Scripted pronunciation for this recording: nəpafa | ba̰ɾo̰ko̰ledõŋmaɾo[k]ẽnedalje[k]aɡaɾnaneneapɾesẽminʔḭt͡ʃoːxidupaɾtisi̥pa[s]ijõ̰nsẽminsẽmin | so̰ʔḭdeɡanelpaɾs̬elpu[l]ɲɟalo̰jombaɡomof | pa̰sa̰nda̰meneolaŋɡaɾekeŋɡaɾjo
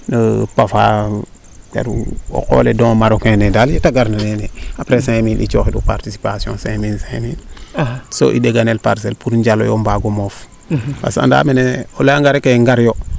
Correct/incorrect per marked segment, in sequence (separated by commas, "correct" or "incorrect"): correct, incorrect, correct, incorrect